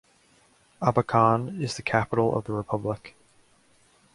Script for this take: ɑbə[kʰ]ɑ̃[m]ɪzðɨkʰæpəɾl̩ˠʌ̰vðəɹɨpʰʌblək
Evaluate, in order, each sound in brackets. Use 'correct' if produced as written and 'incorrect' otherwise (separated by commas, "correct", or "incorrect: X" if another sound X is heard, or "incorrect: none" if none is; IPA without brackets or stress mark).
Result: correct, incorrect: n